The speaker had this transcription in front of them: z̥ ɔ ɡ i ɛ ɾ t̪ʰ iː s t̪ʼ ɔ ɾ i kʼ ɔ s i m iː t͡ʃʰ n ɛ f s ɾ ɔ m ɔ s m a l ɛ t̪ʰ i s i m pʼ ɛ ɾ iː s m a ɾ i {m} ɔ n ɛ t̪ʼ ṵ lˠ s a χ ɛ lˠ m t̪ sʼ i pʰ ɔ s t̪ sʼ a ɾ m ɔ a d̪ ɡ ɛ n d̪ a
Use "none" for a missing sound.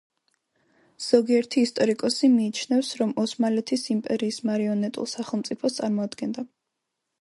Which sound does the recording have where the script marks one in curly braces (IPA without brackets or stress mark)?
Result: none